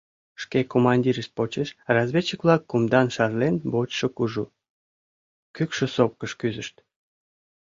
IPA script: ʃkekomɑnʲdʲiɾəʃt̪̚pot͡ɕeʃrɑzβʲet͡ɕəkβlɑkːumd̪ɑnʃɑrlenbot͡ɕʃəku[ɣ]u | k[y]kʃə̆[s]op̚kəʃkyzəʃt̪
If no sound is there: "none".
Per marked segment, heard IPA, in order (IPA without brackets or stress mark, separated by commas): ʒ, y, s